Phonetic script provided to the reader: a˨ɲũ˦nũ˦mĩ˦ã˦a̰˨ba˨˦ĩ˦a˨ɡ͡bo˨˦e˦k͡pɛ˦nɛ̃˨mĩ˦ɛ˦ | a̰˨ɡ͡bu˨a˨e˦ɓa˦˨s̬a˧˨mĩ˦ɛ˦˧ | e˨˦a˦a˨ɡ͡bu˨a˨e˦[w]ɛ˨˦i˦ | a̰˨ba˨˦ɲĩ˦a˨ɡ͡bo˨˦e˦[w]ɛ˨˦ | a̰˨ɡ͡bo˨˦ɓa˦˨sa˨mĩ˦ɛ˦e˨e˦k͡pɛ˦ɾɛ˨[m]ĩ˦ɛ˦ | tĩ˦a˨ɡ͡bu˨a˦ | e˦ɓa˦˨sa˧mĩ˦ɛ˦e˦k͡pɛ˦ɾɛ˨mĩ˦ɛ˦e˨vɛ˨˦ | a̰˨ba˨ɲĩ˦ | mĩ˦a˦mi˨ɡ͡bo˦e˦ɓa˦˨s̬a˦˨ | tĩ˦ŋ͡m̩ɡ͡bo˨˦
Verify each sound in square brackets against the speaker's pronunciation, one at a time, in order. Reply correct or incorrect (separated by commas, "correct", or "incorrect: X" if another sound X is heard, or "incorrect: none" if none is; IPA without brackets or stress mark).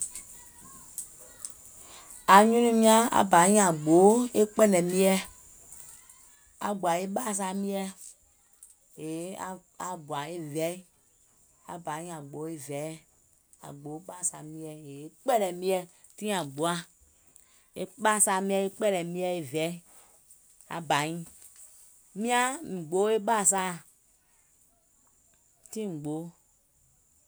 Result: incorrect: v, incorrect: v, correct